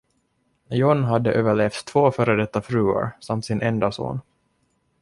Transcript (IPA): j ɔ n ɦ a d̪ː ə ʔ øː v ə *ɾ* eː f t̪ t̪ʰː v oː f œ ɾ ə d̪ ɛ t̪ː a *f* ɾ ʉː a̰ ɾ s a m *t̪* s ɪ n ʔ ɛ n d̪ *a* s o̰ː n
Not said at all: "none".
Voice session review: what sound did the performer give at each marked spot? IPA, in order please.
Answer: ɭ, f, t̪, a

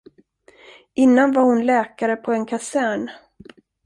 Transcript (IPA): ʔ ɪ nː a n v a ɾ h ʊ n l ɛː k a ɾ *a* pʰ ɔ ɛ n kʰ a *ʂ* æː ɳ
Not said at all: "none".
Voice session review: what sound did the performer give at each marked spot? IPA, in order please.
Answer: ə, s

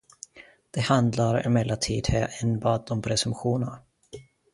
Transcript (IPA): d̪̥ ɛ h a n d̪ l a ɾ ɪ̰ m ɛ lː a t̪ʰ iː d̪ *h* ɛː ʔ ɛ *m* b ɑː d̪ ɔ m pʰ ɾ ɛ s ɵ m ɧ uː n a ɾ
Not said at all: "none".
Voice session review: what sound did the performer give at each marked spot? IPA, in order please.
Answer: h, n

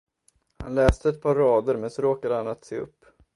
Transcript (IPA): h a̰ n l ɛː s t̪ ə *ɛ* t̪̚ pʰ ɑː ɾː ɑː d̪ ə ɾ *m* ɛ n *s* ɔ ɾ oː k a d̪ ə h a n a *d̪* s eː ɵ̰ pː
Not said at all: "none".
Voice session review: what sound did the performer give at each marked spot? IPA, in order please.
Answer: ɛ, m, s, t̪

